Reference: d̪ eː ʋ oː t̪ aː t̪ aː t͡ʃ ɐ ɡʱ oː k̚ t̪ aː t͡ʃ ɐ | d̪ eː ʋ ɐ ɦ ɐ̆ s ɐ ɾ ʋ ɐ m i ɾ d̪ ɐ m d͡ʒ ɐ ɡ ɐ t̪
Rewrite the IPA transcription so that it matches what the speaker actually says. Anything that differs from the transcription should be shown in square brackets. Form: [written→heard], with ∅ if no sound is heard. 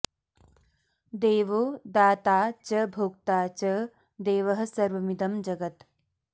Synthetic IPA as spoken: d̪ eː ʋ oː [t̪→d̪] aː t̪ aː t͡ʃ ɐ [ɡʱ→bʱ] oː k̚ t̪ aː t͡ʃ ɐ | d̪ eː ʋ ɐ ɦ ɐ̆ s ɐ ɾ ʋ ɐ m i [ɾ→∅] d̪ ɐ m d͡ʒ ɐ ɡ ɐ t̪